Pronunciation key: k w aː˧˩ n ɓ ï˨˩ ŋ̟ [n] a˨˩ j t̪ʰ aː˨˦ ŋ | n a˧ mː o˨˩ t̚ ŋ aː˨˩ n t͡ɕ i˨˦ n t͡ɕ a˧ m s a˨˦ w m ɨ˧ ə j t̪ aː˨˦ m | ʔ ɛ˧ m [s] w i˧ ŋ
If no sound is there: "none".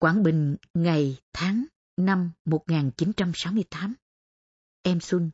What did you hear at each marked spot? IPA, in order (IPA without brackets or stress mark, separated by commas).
ŋ, s